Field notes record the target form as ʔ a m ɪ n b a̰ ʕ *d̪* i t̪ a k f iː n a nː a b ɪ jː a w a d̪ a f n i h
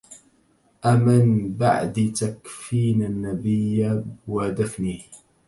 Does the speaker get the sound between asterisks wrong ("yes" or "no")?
no